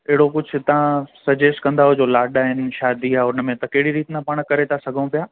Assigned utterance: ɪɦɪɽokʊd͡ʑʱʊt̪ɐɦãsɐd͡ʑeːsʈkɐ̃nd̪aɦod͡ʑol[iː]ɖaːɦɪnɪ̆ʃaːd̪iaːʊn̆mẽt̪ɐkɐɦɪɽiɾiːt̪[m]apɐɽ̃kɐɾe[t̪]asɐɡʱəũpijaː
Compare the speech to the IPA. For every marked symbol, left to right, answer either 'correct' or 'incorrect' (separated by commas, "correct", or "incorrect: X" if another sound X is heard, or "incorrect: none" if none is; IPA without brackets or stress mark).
incorrect: aː, incorrect: n, incorrect: t̪ʰ